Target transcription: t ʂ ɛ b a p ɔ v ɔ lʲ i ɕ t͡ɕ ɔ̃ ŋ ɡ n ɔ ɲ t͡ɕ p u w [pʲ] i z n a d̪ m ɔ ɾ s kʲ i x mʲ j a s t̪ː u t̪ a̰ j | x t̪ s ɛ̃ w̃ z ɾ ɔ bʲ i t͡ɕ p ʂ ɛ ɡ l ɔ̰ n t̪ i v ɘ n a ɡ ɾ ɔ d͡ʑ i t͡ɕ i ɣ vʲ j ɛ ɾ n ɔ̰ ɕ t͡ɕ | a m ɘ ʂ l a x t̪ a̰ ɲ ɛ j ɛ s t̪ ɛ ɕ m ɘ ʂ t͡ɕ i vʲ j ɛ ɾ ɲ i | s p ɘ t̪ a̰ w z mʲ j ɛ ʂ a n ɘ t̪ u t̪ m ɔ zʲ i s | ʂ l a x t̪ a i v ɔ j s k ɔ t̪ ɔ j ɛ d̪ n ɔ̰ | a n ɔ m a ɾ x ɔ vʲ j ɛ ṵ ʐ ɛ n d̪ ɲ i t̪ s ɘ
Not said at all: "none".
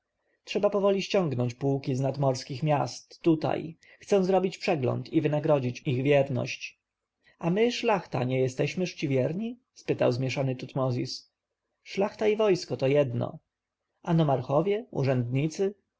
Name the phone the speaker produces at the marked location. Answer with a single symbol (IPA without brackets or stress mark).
kʲ